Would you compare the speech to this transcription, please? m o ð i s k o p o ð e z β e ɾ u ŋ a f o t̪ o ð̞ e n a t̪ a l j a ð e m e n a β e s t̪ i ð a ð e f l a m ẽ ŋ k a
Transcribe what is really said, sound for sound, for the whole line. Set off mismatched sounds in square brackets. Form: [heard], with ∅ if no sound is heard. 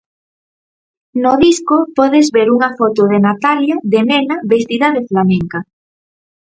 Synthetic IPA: [n] o ð i s k o p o ð e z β e ɾ u ŋ a f o t̪ o ð̞ e n a t̪ a l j a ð e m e n a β e s t̪ i ð a ð e f l a m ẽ ŋ k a